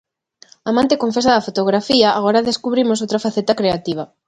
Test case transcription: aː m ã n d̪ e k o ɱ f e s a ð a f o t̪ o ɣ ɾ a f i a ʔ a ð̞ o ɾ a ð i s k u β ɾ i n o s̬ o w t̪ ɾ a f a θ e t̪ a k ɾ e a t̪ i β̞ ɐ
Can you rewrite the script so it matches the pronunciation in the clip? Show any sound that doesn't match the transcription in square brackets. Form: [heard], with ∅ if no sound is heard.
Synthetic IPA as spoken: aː m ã n [t̪] e k o ɱ f e s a ð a f o t̪ o ɣ ɾ a f i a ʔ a [ɣ̞] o ɾ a ð [e] s k u β ɾ i [m] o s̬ o w t̪ ɾ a f a θ e t̪ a k ɾ e a t̪ i β̞ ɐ